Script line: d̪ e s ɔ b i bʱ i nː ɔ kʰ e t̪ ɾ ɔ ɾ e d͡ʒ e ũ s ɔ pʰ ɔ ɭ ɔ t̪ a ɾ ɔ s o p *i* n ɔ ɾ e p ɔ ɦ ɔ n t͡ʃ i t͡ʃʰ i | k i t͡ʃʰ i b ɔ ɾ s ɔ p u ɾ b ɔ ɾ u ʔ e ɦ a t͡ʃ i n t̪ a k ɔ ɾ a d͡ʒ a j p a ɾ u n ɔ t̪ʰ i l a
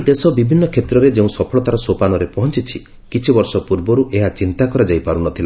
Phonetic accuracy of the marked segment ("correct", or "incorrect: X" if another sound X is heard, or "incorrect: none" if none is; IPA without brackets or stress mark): incorrect: a